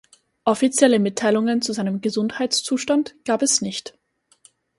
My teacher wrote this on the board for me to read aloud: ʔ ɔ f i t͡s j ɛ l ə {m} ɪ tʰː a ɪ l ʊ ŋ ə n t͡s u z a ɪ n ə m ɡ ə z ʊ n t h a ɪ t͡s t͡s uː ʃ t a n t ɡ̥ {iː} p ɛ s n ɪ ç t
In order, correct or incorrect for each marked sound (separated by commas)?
correct, incorrect